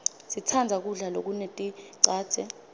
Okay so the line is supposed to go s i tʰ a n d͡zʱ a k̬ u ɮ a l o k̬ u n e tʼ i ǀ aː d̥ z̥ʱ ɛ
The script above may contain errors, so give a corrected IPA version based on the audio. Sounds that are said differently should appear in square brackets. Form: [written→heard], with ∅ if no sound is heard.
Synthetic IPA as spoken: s i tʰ a n d͡zʱ a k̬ u ɮ a l o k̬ u n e tʼ i ǀ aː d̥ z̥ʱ ɛ